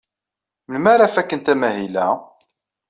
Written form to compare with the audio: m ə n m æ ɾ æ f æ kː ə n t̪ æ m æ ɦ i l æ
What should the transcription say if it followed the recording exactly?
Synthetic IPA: m ə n m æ ɾ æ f æ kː ə n t̪ æ m æ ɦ i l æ

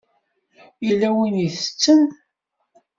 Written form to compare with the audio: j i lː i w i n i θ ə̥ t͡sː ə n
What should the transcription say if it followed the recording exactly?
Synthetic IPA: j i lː æ w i n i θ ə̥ t͡sː ə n

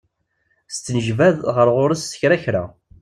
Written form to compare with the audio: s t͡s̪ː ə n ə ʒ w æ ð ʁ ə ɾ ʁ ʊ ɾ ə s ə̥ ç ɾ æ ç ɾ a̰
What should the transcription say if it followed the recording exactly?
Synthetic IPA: s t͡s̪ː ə n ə ʒ v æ ð ʁ ə ɾ ʁ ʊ ɾ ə s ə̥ ç ɾ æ ç ɾ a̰

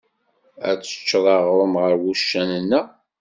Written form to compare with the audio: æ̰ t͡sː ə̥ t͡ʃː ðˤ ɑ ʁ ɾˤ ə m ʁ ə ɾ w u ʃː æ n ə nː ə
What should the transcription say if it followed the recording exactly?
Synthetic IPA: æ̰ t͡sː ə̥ t͡ʃː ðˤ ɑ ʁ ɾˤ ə m ʁ ə ɾ w u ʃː æ n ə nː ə

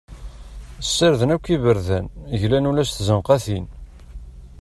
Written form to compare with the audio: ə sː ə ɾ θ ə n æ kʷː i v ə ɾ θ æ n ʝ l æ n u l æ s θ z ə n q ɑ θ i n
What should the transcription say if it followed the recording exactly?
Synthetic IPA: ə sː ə ɾ ð ə n æ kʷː i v ə ɾ ð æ n ʝ l æ n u l æ s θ z ə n q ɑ θ i n

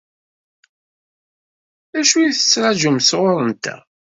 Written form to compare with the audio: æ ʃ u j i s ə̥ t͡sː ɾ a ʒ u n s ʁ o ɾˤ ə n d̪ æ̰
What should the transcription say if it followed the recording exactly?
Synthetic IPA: æ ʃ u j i θ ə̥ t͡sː ɾ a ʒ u m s ʁ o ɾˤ ə n t̪ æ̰

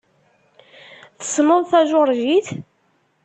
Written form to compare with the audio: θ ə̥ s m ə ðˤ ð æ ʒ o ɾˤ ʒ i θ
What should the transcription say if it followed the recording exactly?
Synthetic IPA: θ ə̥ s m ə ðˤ θ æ ʒ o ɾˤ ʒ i θ

